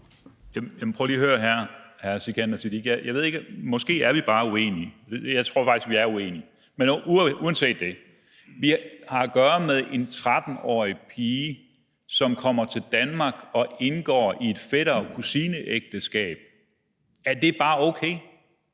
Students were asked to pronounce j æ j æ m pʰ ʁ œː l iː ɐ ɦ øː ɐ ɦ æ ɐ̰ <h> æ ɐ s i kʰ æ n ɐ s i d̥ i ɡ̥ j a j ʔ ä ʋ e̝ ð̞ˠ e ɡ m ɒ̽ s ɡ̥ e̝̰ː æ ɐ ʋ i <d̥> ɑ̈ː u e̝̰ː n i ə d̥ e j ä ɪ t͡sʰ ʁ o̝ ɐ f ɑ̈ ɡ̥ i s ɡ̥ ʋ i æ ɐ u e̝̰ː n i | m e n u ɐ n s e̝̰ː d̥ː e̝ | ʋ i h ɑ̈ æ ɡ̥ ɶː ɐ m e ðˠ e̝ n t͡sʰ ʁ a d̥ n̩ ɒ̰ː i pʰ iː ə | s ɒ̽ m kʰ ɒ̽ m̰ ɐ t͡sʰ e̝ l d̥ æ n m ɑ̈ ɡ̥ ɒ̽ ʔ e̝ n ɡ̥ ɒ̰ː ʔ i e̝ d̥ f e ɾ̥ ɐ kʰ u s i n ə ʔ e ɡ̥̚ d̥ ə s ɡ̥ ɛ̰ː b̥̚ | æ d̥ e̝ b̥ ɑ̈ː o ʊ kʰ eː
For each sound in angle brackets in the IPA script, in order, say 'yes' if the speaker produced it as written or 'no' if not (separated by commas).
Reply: yes, no